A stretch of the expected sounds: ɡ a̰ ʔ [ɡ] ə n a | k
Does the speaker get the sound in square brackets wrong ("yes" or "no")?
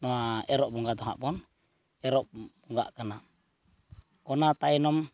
yes